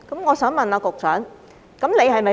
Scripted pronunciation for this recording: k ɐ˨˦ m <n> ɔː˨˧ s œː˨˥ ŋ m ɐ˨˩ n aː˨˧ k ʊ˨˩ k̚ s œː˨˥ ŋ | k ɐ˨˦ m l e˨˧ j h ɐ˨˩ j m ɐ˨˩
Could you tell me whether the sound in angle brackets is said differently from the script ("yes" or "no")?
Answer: yes